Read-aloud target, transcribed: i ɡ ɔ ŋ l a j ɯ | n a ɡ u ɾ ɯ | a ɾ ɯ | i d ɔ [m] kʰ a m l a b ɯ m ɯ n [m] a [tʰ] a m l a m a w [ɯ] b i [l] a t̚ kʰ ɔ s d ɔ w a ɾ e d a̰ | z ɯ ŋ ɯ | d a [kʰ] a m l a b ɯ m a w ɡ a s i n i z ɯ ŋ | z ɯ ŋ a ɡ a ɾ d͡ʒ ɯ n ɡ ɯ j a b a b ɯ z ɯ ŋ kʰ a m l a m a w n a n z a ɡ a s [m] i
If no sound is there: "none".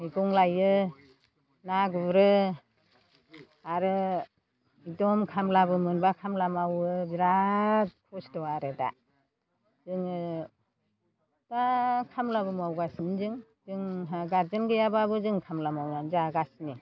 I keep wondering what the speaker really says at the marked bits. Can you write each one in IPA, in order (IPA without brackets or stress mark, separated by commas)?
m, b, kʰ, ɯ, ɾ, kʰ, n